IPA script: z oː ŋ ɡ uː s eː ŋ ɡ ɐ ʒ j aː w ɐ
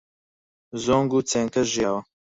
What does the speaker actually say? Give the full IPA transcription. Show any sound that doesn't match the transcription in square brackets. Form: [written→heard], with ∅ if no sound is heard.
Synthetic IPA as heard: z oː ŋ ɡ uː [s→t͡s] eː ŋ [ɡ→k] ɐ ʒ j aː w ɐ